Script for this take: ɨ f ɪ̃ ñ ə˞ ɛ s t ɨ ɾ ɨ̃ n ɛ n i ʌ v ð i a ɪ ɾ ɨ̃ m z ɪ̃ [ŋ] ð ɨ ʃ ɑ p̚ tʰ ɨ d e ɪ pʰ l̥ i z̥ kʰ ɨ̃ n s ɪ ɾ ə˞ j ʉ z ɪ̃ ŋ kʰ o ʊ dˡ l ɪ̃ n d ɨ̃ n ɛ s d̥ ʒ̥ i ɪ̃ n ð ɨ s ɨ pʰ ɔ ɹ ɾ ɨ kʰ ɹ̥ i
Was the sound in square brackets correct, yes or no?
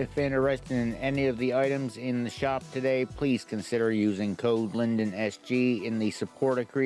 no